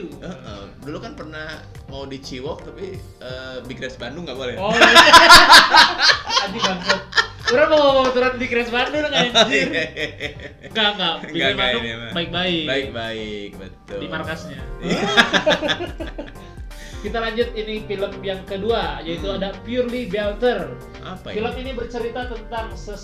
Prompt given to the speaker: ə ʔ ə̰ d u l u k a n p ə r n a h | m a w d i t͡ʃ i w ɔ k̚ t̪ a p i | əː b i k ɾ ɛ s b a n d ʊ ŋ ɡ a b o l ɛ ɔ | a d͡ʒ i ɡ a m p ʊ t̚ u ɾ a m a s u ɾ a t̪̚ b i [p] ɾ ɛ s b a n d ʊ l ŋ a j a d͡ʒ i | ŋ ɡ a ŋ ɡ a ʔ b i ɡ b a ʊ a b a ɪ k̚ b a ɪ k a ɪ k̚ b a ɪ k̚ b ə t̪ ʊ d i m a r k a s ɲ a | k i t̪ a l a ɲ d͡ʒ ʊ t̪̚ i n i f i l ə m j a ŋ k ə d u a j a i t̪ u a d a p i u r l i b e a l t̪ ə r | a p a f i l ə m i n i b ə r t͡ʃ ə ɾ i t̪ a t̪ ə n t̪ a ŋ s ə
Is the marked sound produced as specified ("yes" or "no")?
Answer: no